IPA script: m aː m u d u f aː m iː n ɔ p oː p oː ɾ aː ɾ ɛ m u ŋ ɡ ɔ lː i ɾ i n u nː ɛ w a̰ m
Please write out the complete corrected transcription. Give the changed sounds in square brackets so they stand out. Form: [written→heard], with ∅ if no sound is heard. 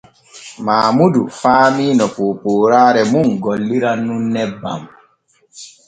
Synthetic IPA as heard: m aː m u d u f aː m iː n ɔ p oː p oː ɾ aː ɾ ɛ m u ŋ ɡ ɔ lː i ɾ [i→a] n u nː ɛ [w→b] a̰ m